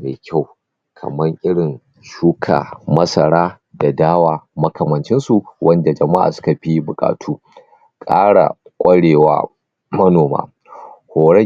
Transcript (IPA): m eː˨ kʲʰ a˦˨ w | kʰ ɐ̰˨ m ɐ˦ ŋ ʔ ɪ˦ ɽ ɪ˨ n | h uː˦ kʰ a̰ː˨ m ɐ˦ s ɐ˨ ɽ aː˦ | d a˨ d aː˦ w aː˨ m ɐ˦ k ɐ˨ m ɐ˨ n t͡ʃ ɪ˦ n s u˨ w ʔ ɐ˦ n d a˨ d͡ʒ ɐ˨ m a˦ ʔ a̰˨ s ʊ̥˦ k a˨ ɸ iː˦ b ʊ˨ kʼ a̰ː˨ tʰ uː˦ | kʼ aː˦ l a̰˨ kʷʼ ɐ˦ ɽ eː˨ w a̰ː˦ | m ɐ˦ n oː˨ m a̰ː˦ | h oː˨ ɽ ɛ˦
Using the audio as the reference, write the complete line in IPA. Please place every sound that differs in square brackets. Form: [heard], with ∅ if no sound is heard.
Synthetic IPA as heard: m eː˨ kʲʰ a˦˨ w | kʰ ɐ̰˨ m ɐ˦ ŋ ʔ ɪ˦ ɽ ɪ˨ n | [ʃ] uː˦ kʰ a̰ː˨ m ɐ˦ s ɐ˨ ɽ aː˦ | d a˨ d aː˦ w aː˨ m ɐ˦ k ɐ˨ m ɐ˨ n t͡ʃ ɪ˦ n s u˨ w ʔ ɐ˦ n d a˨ d͡ʒ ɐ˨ m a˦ ʔ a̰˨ s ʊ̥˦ k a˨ ɸ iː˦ b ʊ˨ kʼ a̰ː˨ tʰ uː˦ | kʼ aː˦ [ɽ] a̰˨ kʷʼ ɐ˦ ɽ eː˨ w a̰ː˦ | m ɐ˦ n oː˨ m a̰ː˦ | h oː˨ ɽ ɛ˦